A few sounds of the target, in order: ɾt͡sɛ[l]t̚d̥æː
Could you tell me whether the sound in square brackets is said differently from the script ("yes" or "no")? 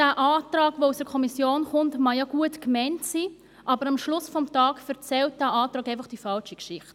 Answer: no